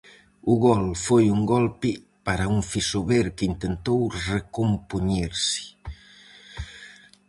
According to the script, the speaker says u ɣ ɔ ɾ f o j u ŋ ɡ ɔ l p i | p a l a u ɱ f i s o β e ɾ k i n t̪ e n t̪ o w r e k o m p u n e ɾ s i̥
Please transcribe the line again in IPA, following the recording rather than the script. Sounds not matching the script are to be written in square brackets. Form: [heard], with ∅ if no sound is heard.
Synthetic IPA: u ɣ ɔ [l] f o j u ŋ ɡ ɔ l p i | p a [ɾ] a u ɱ f i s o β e ɾ k i n t̪ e n t̪ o w r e k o m p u [ɲ] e ɾ s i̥